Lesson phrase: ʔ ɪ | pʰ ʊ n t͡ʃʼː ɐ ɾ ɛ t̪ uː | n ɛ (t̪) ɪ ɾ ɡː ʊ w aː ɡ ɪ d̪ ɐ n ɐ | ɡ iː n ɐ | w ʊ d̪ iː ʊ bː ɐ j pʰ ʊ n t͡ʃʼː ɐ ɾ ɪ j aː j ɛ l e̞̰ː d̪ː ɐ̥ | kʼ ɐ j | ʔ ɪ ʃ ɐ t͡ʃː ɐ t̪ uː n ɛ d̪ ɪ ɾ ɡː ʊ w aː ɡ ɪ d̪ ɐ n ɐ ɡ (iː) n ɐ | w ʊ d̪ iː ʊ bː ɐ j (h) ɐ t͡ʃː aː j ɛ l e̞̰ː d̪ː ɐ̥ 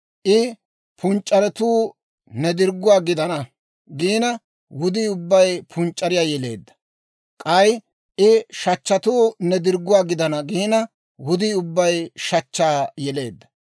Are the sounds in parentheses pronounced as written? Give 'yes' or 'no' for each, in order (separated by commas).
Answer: no, yes, no